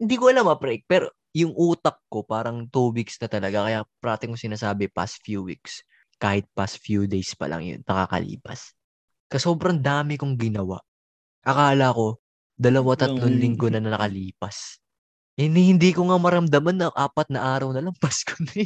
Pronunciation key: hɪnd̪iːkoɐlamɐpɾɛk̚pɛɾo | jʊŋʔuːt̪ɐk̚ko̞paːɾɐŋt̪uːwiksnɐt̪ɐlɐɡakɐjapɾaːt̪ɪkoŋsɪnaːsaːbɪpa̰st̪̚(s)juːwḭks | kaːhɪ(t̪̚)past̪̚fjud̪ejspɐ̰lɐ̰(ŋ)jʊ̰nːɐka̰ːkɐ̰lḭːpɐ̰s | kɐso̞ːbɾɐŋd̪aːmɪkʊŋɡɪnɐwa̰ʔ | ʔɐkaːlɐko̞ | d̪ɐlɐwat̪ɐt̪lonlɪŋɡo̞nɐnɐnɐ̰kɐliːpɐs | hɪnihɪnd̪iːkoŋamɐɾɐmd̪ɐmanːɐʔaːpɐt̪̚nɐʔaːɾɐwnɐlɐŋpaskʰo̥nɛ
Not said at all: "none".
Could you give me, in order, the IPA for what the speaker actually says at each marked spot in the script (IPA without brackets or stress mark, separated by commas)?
f, t̪̚, ŋ